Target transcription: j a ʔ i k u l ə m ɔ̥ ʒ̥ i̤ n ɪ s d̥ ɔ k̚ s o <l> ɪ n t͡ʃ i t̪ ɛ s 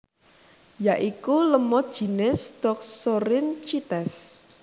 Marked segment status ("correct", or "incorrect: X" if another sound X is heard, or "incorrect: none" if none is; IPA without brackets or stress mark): incorrect: ɾ